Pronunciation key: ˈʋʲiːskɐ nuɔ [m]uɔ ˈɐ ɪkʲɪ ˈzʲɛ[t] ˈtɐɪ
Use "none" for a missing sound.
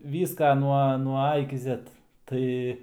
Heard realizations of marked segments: n, t

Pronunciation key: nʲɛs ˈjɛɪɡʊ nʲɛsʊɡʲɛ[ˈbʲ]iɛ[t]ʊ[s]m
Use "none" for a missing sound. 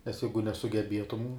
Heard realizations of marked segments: bʲ, t, none

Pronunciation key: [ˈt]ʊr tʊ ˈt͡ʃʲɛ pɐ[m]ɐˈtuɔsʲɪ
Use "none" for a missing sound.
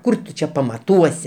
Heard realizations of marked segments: k, m

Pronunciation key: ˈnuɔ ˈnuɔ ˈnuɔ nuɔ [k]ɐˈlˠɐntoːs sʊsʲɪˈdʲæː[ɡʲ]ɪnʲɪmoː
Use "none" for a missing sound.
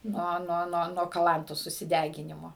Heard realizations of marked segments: k, ɡʲ

